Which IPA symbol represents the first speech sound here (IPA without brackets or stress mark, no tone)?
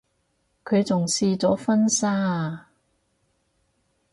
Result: kʰ